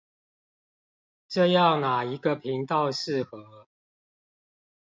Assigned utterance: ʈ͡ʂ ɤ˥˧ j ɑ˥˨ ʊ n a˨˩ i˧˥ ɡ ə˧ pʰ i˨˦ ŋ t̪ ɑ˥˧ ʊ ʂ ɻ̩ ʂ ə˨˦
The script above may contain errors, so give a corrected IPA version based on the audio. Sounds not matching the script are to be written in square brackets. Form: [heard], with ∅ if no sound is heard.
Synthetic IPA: ʈ͡ʂ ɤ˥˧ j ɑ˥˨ ʊ n a˨˩ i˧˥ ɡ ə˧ pʰ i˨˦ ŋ t̪ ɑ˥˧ ʊ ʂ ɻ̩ [x] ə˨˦